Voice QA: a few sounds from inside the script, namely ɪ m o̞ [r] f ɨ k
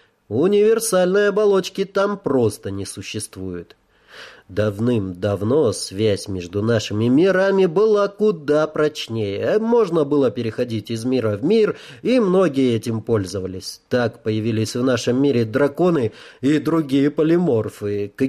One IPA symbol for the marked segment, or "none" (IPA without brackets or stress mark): r